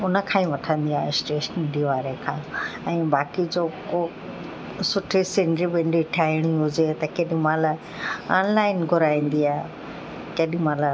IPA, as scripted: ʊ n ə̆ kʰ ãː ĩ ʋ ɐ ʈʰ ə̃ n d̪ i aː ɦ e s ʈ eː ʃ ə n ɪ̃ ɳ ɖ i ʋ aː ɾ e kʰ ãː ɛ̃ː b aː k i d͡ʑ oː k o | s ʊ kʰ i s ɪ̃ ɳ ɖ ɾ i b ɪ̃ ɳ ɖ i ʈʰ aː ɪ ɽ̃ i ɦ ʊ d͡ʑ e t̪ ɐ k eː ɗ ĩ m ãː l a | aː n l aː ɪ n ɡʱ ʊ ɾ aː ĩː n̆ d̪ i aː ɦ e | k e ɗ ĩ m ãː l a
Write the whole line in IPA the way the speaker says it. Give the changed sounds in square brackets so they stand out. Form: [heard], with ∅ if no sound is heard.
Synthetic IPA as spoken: ʊ n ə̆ kʰ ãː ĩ ʋ ɐ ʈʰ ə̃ n d̪ i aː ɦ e s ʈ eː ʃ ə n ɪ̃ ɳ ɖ i ʋ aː ɾ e kʰ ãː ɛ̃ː b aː k i d͡ʑ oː k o | s ʊ [ʈʰ] i s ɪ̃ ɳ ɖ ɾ i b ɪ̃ ɳ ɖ i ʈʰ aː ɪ ɽ̃ i ɦ ʊ d͡ʑ e t̪ ɐ k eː ɗ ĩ m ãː l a | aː n l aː ɪ n ɡʱ ʊ ɾ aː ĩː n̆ d̪ i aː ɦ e | k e ɗ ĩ m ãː l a